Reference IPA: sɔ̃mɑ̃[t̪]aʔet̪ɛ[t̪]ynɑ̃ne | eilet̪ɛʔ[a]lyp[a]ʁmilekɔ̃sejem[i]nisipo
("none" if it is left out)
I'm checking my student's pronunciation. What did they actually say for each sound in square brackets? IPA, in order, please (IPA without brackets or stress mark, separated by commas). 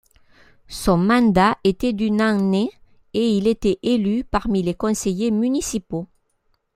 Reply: d̪, d̪, e, a, y